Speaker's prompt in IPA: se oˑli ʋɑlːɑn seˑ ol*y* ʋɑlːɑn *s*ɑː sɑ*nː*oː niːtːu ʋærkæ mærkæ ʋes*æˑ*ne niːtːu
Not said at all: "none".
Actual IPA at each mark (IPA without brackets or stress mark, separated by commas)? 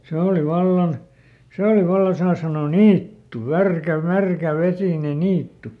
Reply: i, s, n, iˑ